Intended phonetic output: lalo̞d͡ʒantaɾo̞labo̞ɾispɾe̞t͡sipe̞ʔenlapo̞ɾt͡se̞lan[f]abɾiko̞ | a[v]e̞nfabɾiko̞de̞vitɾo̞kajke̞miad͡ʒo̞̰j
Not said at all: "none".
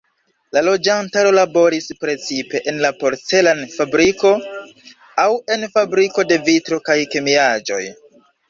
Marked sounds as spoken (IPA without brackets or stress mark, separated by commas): f, w